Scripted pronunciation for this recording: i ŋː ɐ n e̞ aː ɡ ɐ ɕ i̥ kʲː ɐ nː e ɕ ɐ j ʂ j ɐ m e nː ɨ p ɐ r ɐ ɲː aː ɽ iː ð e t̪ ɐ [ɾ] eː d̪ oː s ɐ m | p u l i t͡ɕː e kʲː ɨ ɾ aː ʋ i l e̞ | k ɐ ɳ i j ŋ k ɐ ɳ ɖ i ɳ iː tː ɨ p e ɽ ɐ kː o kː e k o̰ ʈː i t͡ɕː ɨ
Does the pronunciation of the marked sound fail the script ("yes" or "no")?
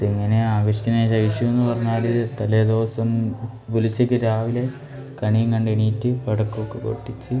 yes